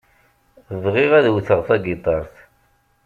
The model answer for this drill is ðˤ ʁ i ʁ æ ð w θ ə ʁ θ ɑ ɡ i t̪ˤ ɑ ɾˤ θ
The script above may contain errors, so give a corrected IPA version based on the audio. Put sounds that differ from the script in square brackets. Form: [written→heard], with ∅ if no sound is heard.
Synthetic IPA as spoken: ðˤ ʁ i ʁ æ ð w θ ə ʁ θ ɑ ɡ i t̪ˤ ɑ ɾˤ θ